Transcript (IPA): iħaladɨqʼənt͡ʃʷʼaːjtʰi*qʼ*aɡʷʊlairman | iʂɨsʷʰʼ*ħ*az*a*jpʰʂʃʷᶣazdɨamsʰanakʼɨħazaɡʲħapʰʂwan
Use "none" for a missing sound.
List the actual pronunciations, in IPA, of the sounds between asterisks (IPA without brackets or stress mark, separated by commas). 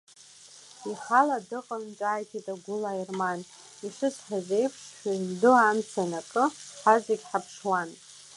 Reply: tʼ, ħ, e